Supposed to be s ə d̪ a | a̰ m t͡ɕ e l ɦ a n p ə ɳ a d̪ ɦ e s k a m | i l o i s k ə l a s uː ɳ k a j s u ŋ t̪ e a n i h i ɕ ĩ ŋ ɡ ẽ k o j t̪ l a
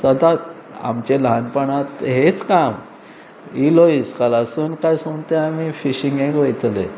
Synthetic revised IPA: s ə d̪ a | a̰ m t͡ɕ e l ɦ a n p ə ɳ a t̪ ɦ e t͡s k a m | i l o i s k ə l a s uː n k a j s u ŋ t̪ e a m i f i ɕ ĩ ŋ ɡ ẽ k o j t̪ l e